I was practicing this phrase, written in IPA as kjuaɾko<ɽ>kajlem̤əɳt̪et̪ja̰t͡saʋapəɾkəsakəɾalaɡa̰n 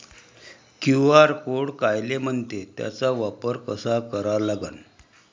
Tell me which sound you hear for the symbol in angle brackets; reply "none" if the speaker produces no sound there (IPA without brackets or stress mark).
ɽ